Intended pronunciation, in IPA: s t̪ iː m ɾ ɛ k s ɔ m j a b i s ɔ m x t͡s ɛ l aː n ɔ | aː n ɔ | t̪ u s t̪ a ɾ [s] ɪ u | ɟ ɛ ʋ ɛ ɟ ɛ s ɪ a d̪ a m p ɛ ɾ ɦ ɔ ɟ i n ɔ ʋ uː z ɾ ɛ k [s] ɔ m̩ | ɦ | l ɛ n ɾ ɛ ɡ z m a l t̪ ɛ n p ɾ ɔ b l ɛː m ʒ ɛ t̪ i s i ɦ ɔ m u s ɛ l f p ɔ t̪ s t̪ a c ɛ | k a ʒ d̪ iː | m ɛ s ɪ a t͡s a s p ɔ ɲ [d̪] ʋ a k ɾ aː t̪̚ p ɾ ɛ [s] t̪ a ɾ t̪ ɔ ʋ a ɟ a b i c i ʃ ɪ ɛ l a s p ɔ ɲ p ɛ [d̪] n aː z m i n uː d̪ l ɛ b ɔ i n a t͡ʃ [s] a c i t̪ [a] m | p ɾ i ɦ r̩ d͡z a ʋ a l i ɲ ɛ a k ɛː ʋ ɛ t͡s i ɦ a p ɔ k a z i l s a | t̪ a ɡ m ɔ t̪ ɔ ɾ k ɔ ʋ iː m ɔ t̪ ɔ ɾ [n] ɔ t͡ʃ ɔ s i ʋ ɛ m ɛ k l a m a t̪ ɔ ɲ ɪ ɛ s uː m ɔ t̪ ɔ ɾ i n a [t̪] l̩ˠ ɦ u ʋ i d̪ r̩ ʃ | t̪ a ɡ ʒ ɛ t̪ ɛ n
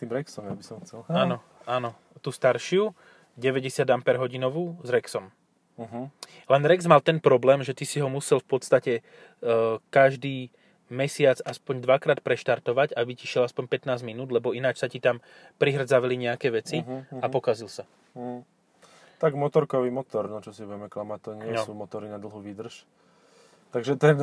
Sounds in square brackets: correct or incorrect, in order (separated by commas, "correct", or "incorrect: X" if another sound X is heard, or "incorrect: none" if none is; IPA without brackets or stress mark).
incorrect: ʃ, correct, correct, incorrect: ʃ, incorrect: t̪, correct, correct, correct, incorrect: d̪